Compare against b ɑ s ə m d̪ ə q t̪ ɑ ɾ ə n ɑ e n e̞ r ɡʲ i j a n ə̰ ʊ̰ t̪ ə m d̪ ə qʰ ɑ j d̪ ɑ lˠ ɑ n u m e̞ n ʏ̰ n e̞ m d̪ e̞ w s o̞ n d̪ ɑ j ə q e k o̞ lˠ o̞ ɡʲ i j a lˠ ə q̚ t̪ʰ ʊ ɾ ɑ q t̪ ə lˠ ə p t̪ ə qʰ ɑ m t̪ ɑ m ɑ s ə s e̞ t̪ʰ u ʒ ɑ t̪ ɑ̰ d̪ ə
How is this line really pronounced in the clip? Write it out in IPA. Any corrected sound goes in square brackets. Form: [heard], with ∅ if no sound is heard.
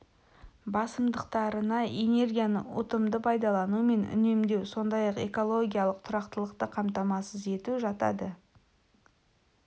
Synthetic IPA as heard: b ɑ s ə m d̪ ə q t̪ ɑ ɾ ə n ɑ e n e̞ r ɡʲ i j a n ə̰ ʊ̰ t̪ ə m d̪ ə [pʰ] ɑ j d̪ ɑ lˠ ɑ n u m e̞ n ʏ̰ n e̞ m d̪ e̞ w s o̞ n d̪ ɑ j [ɑ] q e k o̞ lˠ o̞ ɡʲ i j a lˠ ə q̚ t̪ʰ ʊ ɾ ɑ q t̪ ə lˠ ə [q] t̪ ə qʰ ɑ m t̪ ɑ m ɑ s ə [z] e̞ [t̪] u ʒ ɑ t̪ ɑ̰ d̪ ə

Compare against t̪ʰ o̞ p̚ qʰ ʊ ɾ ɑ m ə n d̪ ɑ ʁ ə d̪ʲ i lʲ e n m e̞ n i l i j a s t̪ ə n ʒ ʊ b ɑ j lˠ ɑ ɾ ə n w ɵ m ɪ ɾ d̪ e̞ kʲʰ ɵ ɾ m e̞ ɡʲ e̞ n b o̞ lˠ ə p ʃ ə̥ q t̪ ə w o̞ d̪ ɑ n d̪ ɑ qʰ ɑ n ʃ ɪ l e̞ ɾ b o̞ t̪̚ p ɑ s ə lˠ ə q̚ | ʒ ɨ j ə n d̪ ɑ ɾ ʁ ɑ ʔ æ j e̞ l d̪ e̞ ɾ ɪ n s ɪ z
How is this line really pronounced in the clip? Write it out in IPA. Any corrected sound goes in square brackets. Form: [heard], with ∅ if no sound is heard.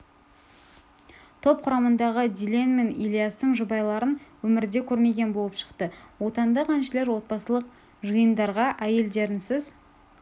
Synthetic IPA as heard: t̪ʰ o̞ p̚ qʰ ʊ ɾ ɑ m ə n d̪ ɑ ʁ ə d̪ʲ i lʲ e n m e̞ n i l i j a s t̪ ə [ɴ] ʒ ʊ b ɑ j lˠ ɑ ɾ ə n w ɵ m ɪ ɾ d̪ e̞ kʲʰ ɵ ɾ m e̞ ɡʲ e̞ n b o̞ lˠ ə p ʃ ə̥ q t̪ ə w o̞ [t̪] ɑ n d̪ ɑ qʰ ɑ n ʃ ɪ l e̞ ɾ [w] o̞ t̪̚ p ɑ s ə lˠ ə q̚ | ʒ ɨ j ə n d̪ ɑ ɾ ʁ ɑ ʔ æ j e̞ l d̪ e̞ ɾ ɪ n s ɪ z

